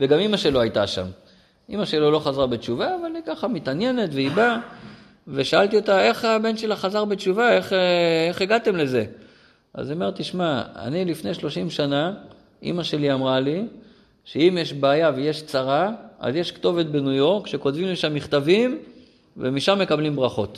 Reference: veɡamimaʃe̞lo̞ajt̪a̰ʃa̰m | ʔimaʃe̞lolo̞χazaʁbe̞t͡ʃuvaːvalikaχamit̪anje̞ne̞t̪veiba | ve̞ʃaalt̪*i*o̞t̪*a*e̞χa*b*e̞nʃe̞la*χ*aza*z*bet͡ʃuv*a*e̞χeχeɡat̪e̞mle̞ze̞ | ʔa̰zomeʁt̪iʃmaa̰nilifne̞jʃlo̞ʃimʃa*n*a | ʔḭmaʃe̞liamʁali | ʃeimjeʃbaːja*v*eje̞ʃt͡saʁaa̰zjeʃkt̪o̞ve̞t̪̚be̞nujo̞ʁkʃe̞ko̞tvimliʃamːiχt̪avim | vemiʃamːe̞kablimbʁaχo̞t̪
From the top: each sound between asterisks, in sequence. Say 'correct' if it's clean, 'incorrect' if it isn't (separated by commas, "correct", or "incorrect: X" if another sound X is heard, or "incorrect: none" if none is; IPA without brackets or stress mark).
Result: correct, correct, correct, correct, incorrect: ʁ, correct, correct, correct